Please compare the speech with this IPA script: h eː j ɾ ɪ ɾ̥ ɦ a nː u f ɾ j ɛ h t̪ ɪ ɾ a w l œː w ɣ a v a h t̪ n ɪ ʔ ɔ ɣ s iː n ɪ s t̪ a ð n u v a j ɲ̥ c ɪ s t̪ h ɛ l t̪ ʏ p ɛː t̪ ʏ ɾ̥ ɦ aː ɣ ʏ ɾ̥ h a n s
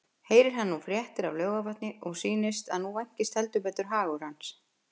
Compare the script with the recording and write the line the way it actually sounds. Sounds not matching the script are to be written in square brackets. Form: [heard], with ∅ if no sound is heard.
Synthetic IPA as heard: h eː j ɾ ɪ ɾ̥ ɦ a nː u f ɾ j ɛ h t̪ ɪ ɾ a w l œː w ɣ a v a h t̪ n ɪ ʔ ɔ ɣ s iː n ɪ s t̪ a ð n u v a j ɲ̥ c ɪ s t̪ h ɛ l t̪ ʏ p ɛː t̪ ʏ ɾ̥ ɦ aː ɣ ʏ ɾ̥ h a n s